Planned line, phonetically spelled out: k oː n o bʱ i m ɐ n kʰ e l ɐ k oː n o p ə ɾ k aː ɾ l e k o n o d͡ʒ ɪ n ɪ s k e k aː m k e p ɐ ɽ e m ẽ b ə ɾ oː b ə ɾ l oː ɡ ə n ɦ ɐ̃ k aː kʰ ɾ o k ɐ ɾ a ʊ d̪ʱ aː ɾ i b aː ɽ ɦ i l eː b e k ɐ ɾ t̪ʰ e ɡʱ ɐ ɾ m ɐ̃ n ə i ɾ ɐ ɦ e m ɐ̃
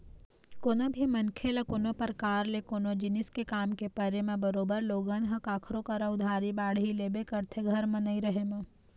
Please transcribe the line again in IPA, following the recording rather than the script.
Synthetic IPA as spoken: k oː n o bʱ i m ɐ n kʰ e l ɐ k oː n o p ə ɾ k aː ɾ l e k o n o d͡ʒ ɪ n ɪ s k e k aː m k e p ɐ ɾ e m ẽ b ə ɾ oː b ə ɾ l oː ɡ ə n ɦ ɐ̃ k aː kʰ ɾ o k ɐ ɾ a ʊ d̪ʱ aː ɾ i b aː ɽ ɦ i l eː b e k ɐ ɾ t̪ʰ e ɡʱ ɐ ɾ m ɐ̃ n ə i ɾ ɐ ɦ e m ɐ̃